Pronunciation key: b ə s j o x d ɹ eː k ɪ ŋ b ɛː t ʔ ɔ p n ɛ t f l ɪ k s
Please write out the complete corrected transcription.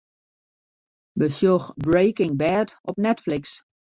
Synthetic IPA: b ə s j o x b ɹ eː k ɪ ŋ b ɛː t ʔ ɔ p n ɛ t f l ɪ k s